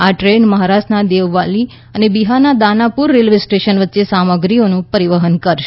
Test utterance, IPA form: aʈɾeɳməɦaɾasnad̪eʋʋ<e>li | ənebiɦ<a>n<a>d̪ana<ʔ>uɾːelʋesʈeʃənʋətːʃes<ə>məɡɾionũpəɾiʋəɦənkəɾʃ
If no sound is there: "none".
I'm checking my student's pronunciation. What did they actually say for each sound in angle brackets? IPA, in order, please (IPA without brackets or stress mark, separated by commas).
a, a, a, p, a